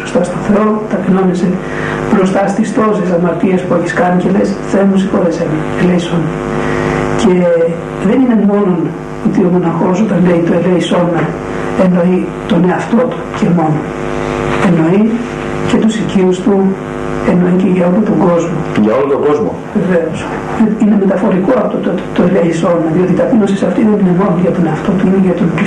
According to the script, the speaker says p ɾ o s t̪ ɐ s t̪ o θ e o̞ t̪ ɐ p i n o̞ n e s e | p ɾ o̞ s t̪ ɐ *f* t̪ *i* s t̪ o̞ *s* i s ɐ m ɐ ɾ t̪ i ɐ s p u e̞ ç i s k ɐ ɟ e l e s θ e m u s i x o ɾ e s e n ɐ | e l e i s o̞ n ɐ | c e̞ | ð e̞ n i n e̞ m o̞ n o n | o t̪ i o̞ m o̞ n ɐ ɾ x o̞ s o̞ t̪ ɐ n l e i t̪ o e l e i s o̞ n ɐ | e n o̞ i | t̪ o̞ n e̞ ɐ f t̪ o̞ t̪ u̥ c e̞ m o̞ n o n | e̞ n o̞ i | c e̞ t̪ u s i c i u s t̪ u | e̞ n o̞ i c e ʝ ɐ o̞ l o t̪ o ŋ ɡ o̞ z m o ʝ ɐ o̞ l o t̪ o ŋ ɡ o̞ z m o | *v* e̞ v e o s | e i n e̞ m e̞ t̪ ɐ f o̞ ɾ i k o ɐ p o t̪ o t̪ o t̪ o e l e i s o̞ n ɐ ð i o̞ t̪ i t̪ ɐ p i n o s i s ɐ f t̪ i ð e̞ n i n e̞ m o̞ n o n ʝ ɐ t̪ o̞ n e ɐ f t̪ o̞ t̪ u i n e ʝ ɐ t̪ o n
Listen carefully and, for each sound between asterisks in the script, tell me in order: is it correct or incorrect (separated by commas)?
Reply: incorrect, correct, correct, correct